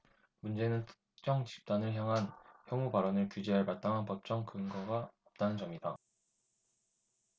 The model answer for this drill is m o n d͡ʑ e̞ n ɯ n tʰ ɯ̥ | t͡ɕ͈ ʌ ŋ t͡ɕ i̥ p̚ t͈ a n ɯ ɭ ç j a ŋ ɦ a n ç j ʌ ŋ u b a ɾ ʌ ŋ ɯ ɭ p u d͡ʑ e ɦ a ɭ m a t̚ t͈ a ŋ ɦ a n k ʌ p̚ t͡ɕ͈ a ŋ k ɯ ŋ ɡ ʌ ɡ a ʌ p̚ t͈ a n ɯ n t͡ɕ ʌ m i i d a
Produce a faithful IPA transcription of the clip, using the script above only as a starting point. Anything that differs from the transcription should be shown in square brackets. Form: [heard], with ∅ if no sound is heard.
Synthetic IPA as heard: m [u] n d͡ʑ e̞ n ɯ n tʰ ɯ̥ | t͡ɕ͈ ʌ ŋ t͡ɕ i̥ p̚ t͈ a n ɯ ɭ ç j a ŋ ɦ a n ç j ʌ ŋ u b a ɾ ʌ [n] ɯ ɭ [k] u d͡ʑ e ɦ a ɭ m a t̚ t͈ a ŋ ɦ a n [p] ʌ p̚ t͡ɕ͈ [ʌ] ŋ k ɯ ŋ ɡ ʌ ɡ a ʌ p̚ t͈ a n ɯ n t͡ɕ ʌ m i i d a